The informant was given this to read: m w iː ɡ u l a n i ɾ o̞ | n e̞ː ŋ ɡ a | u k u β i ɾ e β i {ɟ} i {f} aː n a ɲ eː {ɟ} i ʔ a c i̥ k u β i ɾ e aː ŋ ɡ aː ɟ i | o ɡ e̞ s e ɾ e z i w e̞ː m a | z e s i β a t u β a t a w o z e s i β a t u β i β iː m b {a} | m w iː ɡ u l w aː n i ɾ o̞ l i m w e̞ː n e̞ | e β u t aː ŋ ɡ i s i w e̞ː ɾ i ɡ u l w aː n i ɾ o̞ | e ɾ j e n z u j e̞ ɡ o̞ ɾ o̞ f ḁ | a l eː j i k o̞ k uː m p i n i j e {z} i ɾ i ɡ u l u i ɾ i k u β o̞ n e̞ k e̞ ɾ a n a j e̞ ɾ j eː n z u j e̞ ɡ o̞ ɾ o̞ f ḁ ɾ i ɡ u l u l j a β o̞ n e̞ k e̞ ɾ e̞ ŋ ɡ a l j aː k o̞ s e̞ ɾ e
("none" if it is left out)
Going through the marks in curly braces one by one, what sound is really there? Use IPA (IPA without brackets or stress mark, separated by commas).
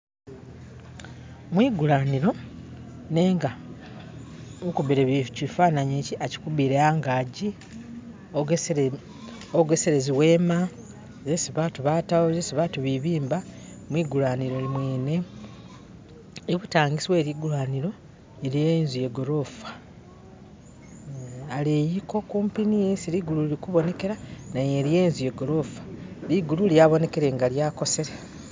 c, f, c, a, s